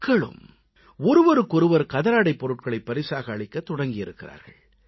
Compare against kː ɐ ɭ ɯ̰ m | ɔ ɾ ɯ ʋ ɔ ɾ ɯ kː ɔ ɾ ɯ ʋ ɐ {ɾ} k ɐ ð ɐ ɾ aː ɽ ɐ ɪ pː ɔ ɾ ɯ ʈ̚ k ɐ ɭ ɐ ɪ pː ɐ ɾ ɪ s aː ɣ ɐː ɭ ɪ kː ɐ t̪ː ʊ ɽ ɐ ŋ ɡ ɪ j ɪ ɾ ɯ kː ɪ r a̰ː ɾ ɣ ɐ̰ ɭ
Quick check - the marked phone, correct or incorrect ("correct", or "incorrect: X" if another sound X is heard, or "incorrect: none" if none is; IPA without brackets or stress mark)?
correct